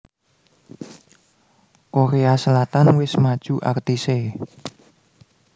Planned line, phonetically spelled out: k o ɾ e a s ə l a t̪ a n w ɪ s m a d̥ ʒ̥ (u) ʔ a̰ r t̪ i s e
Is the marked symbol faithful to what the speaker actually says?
yes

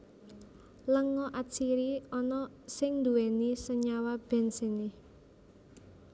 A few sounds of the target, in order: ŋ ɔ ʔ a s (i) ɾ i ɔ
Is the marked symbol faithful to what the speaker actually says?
yes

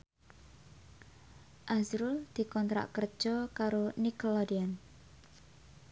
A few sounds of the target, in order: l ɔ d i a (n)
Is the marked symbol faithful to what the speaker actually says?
yes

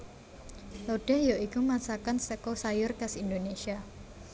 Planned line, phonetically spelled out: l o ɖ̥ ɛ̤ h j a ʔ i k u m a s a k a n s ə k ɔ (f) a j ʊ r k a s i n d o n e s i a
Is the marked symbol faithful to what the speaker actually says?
no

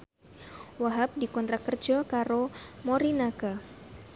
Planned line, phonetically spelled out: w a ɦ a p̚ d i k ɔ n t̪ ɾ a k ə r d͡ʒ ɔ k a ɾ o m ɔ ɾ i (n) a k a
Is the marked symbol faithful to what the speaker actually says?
yes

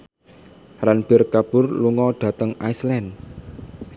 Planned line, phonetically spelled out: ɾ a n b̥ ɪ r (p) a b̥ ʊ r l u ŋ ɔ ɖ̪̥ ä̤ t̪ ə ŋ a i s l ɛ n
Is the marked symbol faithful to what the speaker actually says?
no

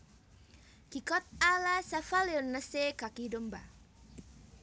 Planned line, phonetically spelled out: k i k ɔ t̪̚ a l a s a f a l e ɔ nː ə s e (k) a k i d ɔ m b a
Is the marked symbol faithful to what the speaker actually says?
yes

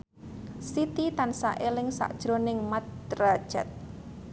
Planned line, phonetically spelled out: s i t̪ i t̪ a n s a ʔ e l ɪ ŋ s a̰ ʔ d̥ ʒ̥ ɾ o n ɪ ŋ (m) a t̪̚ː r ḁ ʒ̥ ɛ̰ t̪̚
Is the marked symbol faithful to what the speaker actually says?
yes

